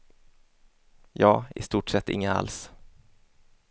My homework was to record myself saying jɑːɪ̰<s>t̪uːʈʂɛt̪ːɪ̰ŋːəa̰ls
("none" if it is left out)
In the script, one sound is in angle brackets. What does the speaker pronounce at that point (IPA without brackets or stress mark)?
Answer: s